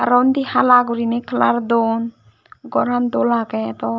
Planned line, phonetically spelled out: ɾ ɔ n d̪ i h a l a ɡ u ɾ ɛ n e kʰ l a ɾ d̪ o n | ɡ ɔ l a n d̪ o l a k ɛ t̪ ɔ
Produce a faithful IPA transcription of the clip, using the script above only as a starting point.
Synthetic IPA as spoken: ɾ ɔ n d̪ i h a l a ɡ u ɾ i n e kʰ l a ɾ d̪ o n | ɡ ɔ ɾ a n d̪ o l a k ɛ t̪ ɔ